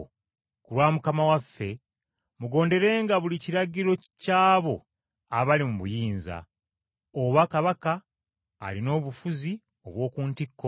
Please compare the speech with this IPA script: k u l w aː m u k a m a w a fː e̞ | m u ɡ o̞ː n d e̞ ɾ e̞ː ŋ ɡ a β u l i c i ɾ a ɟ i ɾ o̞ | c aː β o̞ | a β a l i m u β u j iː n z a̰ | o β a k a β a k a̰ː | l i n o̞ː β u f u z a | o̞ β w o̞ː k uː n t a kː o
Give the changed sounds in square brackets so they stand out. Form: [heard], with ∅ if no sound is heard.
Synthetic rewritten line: k u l w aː m u k a m a w a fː e̞ | m u ɡ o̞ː n d e̞ ɾ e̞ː ŋ ɡ a β u l i c i ɾ a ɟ i ɾ o̞ | c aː β o̞ | a β a l i m u β u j iː n z a̰ | o β a k a β a k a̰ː | l i n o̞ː β u f u z [i] | o̞ β w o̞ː k uː n t [i] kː o